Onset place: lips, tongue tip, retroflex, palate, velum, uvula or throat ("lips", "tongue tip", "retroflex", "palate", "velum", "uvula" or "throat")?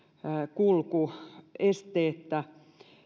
velum